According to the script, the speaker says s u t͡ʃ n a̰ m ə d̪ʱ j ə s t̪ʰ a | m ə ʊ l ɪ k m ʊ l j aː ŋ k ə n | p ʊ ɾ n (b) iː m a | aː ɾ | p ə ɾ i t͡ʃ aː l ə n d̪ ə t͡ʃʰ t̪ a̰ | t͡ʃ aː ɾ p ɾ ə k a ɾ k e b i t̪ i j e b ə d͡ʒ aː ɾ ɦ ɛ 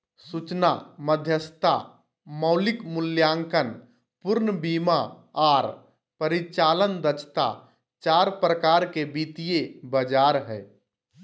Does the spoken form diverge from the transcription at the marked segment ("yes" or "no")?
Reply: no